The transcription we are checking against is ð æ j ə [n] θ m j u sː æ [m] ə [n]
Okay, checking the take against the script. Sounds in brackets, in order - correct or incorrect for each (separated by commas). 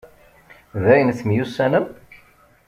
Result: correct, incorrect, incorrect